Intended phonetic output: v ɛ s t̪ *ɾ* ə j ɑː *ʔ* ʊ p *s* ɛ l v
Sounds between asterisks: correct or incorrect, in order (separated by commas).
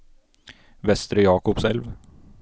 correct, incorrect, correct